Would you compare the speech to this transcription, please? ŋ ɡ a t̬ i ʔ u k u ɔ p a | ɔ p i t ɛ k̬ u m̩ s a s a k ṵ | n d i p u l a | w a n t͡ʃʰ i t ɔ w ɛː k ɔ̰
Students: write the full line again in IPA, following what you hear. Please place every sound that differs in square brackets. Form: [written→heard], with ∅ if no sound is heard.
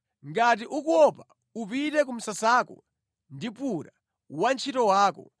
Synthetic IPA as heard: ŋ ɡ a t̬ i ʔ u k u ɔ p a | [ɔ→u] p i t ɛ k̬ u m̩ s a s a k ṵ | n d i p u [l→ɾ] a | w a n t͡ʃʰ i t ɔ w [ɛː→aː] k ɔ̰